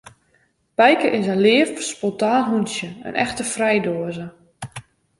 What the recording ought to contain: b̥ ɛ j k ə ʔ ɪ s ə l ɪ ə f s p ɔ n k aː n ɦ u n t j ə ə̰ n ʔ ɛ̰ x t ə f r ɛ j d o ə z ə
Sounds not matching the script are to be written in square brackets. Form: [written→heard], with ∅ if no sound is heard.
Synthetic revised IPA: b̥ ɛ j k ə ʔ ɪ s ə l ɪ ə f s p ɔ n [k→t] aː n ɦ u n [t→s] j ə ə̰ n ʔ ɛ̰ x t ə f r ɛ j d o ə z ə